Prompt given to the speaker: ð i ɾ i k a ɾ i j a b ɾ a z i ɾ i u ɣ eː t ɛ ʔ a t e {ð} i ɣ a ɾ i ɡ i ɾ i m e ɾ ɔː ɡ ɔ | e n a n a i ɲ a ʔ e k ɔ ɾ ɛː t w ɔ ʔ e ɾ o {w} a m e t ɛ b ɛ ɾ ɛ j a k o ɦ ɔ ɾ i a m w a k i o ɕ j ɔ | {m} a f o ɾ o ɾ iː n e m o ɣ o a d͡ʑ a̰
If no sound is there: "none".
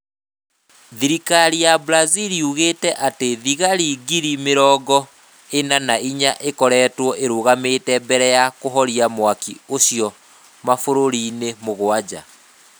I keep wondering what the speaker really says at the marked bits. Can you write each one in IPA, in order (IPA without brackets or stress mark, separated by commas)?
ð, ɣ, m